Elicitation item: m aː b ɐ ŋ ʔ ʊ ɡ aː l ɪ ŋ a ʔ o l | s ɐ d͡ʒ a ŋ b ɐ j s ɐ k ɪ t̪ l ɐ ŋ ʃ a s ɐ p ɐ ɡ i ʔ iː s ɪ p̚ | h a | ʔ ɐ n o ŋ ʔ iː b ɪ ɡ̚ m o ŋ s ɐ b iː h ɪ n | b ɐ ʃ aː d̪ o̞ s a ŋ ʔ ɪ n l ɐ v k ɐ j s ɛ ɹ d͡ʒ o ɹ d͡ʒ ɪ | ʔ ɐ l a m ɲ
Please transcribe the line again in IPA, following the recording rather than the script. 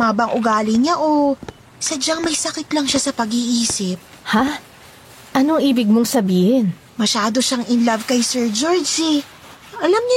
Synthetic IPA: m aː b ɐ ŋ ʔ ʊ ɡ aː l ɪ ɲ a ʔ o | s ɐ d͡ʒ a ŋ m ɐ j s ɐ k ɪ t̪ l ɐ ŋ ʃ a s ɐ p ɐ ɡ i ʔ iː s ɪ p̚ | h a | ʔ ɐ n o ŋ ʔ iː b ɪ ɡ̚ m o ŋ s ɐ b iː h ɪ n | m ɐ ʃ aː d̪ o̞ ʃ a ŋ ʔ ɪ n l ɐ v k ɐ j s ɛ ɹ d͡ʒ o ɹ d͡ʒ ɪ | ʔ ɐ l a m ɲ